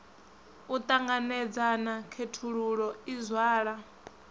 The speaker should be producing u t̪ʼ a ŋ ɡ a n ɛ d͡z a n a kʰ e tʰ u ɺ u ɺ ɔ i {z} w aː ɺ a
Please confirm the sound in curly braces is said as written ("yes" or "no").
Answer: yes